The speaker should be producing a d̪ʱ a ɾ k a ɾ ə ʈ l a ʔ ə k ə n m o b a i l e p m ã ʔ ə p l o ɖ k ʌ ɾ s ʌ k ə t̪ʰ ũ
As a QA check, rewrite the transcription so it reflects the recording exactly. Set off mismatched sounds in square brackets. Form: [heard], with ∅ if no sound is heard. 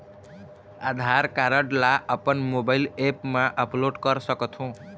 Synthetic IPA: a d̪ʱ a ɾ k a ɾ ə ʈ l a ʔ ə [p] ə n m o b a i l e p m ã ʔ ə p l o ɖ k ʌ ɾ s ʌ k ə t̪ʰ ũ